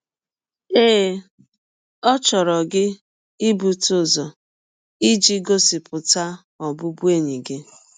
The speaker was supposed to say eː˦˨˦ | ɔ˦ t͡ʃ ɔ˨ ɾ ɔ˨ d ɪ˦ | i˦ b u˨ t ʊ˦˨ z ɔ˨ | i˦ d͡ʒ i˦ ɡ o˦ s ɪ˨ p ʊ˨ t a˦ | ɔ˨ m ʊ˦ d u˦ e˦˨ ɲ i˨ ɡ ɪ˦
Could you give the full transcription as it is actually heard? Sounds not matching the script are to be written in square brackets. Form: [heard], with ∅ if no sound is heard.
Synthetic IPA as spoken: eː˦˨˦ | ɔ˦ t͡ʃ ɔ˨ ɾ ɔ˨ [ɡ] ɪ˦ | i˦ b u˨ t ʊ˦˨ z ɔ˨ | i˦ d͡ʒ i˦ ɡ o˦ s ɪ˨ p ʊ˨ t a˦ | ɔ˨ [b] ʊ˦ [b] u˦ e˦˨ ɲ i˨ ɡ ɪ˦